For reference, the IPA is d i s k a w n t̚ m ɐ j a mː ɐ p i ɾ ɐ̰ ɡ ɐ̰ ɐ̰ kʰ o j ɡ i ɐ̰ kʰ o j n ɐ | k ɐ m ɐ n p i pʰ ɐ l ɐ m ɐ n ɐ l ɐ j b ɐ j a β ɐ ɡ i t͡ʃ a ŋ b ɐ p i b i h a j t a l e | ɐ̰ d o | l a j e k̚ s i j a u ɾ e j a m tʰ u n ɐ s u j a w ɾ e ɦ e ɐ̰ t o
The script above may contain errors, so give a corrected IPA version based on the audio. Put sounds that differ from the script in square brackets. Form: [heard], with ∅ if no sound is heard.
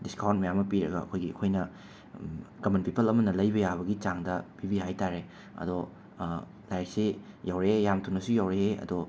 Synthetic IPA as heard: d i s k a w n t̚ m ɐ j a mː ɐ p i ɾ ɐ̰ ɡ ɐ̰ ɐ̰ kʰ o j ɡ i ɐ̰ kʰ o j n ɐ | k ɐ m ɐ n p i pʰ ɐ l ɐ m ɐ n ɐ l ɐ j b ɐ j a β ɐ ɡ i t͡ʃ a ŋ [d] ɐ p i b i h a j t a [ɾ] e | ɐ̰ d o | l a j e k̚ s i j a [w] ɾ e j a m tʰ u n ɐ s u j a w ɾ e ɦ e ɐ̰ [d] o